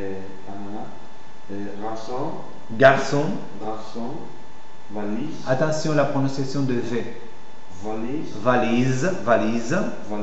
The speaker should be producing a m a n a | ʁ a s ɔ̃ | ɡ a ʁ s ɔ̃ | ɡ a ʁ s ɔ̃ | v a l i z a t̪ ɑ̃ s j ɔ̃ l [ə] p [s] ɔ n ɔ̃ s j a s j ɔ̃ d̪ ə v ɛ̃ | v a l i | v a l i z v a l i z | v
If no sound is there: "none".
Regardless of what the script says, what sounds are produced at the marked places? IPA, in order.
a, χ

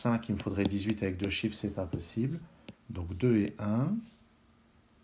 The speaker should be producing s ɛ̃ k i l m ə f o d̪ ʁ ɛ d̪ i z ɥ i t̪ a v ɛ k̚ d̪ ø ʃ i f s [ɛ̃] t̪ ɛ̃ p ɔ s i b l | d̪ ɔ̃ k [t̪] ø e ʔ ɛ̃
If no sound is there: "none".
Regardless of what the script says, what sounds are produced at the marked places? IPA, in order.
ɛ, d̪

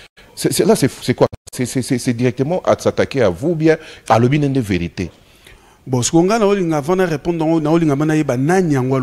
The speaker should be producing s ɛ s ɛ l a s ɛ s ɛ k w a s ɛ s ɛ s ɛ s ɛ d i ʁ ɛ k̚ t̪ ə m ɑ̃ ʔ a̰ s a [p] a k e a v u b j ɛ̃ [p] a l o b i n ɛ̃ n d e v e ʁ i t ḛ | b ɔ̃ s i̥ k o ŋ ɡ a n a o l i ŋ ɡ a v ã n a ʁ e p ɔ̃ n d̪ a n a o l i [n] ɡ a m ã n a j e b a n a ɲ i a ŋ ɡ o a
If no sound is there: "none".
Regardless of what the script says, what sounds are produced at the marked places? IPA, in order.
t, none, ŋ

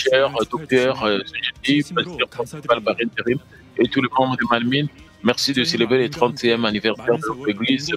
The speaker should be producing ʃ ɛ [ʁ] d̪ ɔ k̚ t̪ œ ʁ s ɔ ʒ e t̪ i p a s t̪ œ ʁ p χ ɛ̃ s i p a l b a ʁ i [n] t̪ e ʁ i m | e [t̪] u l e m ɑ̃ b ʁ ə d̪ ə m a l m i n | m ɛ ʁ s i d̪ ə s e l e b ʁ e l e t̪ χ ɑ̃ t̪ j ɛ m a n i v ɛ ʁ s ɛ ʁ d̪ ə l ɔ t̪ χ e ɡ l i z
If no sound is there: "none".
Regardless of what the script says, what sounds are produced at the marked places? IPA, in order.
ʁ, n, t̪

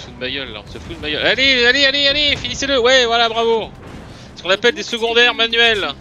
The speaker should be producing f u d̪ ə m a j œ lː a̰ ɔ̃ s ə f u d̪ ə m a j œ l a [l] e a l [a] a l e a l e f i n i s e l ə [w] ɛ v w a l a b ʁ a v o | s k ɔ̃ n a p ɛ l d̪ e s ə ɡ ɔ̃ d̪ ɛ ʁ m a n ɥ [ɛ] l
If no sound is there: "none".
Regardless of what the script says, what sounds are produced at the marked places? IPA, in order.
l, e, w, ɛ

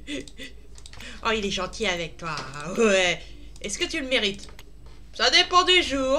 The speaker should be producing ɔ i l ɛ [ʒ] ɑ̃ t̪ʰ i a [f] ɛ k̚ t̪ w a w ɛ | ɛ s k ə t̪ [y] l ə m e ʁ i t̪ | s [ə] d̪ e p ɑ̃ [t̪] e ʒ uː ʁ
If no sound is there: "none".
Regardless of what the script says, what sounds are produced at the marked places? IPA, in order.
ʒ, v, y, a, d̪

